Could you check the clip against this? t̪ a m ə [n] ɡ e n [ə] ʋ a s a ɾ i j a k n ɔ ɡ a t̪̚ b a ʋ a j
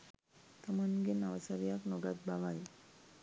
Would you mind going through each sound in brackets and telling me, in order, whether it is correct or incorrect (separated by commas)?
correct, incorrect